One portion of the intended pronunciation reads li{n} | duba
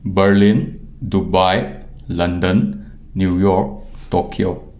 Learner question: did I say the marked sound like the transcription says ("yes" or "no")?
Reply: yes